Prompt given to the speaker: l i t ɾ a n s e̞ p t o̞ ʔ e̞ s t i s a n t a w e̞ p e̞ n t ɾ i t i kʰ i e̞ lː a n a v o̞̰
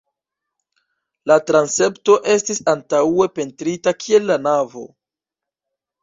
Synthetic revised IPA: l a t ɾ a n s e̞ p t o̞ ʔ e̞ s t i s a n t a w e̞ p e̞ n t ɾ i t a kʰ i e̞ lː a n a v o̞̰